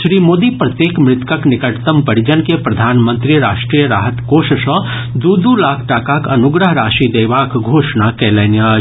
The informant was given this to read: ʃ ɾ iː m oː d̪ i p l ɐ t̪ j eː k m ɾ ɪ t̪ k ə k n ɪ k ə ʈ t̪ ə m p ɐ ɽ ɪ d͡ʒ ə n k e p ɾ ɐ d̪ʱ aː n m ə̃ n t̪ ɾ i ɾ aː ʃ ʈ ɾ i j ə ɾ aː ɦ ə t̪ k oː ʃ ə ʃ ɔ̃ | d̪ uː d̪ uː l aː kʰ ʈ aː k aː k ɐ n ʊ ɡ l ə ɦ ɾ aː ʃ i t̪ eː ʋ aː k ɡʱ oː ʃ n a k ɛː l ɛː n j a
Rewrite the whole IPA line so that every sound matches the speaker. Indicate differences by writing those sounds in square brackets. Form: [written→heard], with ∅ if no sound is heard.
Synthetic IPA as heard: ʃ ɾ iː m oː d̪ i p [l→ɾ] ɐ t̪ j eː k m ɾ ɪ t̪ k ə k n ɪ k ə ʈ t̪ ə m p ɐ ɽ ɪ d͡ʒ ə n k e p ɾ ɐ d̪ʱ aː n m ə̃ n t̪ ɾ i ɾ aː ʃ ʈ ɾ i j ə ɾ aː ɦ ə t̪ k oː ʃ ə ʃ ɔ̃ | d̪ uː d̪ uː l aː kʰ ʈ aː k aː k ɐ n ʊ ɡ [l→ɾ] ə ɦ ɾ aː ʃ i [t̪→d̪] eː ʋ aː k ɡʱ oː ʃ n a k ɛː l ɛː n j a